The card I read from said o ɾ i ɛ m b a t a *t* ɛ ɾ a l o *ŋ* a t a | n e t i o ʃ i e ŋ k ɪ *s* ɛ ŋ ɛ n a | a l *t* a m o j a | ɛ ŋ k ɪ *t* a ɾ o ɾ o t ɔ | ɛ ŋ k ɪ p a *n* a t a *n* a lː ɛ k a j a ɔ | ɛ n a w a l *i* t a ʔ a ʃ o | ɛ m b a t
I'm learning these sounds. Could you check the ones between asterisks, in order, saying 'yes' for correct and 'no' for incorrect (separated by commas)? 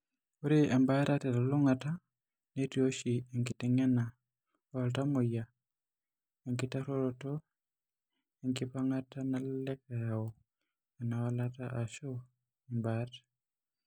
yes, yes, no, yes, yes, no, yes, no